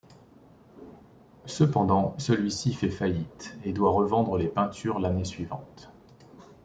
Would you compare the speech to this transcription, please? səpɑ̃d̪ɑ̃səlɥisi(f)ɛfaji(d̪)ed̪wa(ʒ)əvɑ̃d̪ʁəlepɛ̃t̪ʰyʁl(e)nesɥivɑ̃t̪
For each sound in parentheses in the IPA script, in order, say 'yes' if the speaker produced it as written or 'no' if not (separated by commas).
yes, no, no, no